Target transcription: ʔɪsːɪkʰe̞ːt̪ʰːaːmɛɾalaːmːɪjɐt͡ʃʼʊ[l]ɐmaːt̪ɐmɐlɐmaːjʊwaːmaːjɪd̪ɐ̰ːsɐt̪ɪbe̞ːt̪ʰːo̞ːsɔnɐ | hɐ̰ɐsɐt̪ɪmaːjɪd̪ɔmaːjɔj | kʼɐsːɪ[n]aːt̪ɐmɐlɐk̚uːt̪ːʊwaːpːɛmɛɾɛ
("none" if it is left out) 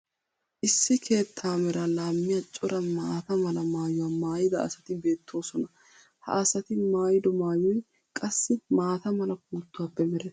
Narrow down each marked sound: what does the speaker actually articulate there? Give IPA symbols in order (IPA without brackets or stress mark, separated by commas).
ɾ, m